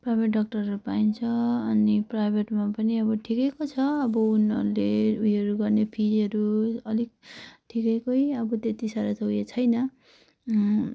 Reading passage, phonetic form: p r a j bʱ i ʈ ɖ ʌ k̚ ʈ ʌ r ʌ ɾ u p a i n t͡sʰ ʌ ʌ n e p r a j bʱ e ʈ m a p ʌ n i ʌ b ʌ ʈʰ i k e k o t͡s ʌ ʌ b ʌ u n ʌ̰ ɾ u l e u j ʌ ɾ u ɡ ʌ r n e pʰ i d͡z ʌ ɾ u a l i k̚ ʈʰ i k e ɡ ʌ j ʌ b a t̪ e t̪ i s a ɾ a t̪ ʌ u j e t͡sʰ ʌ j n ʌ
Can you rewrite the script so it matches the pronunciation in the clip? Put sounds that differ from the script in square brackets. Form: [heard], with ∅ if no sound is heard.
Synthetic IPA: p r a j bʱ [e] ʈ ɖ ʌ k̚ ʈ ʌ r ʌ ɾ u p a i n t͡sʰ ʌ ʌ n [i] p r a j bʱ e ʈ m a p ʌ n i ʌ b ʌ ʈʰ i k e k o [t͡sʰ] ʌ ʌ b ʌ u n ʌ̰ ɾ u l e u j ʌ ɾ u ɡ ʌ r n e pʰ i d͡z ʌ ɾ u [ʌ] l i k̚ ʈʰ i k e [k] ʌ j ʌ b [ʌ] t̪ e t̪ i s a ɾ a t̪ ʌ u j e t͡sʰ ʌ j n ʌ